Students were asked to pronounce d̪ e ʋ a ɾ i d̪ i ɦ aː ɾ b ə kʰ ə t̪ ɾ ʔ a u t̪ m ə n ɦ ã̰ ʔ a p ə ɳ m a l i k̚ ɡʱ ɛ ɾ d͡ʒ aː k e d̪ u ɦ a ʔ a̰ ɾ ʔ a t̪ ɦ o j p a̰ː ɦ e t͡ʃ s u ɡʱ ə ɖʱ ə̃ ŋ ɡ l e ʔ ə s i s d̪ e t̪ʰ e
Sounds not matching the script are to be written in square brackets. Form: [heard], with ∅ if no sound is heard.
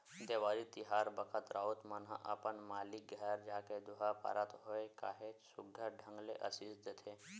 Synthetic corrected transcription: d̪ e ʋ a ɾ i [t̪] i ɦ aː ɾ b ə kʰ ə t̪ ɾ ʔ a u t̪ m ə n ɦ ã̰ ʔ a p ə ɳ m a l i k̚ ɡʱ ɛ ɾ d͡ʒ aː k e d̪ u ɦ a [p] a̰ ɾ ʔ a t̪ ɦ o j [k] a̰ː ɦ e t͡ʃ s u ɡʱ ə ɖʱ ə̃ ŋ ɡ l e ʔ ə s i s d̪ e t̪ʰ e